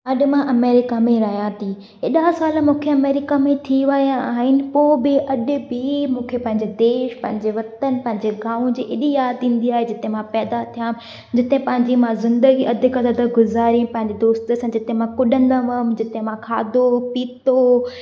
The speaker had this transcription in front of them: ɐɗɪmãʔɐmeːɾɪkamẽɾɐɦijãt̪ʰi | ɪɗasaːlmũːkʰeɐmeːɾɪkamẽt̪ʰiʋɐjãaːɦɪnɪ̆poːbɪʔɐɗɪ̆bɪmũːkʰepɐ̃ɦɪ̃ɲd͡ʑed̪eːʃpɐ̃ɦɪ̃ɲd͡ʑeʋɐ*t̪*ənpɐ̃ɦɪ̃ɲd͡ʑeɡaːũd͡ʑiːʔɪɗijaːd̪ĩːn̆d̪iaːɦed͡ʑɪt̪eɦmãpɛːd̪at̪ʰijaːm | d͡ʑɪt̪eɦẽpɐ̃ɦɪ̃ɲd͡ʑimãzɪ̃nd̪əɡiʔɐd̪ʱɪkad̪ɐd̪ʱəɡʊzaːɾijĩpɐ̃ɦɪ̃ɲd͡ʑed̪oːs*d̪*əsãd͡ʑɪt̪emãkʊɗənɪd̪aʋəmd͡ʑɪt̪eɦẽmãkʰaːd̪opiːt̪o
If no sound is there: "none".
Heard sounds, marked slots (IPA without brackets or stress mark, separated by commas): t̪, t̪